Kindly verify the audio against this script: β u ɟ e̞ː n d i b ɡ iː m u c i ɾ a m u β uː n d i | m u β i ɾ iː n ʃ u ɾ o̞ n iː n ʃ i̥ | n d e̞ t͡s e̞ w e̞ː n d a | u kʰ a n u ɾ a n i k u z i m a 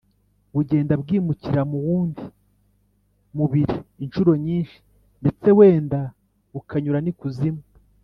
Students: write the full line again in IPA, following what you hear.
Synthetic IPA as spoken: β u ɟ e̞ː n d a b ɡ iː m u c i ɾ a m u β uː n d i | m u β i ɾ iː n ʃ u ɾ o̞ ɲ iː n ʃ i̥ | n d e̞ t͡s e̞ w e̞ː n d a | u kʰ a ɲ u ɾ a n i k u z i m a